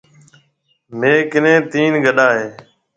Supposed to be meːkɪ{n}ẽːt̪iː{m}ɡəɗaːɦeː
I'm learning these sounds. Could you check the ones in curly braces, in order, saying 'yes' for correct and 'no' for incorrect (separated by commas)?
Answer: yes, no